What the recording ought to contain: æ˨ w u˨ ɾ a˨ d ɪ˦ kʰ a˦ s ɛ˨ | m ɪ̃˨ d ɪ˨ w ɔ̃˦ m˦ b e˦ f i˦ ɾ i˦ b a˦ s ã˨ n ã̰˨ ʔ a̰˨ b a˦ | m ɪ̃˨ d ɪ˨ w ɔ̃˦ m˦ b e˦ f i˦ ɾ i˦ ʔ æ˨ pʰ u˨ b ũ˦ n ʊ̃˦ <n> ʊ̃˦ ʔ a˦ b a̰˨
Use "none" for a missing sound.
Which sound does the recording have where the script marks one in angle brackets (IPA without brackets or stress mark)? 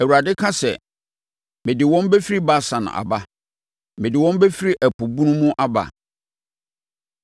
m